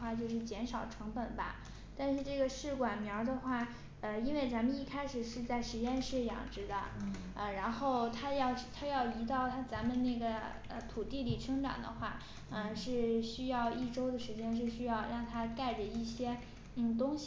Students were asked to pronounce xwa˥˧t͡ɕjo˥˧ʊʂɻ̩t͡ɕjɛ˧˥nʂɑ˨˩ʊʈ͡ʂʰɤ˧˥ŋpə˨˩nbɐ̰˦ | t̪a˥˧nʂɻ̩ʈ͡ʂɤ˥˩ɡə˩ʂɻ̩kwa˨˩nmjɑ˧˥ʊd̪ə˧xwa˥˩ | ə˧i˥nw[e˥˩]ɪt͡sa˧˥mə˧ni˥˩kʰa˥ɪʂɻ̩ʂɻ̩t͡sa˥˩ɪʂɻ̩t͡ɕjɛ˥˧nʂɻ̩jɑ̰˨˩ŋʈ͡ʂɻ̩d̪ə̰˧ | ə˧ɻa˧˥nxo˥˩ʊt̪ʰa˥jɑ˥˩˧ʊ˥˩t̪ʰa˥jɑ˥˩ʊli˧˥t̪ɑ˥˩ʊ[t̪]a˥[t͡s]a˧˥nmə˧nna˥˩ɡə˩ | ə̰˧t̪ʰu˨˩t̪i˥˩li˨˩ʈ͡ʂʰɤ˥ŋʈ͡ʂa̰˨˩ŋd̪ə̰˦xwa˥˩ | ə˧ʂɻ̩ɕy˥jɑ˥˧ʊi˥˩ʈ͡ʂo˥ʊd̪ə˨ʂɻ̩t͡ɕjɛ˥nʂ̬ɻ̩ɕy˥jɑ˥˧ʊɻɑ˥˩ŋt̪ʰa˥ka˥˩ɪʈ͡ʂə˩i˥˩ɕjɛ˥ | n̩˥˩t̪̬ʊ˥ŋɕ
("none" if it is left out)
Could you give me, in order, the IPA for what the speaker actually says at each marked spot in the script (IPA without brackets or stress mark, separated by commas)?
e˥˩, t̪ʰ, t͡s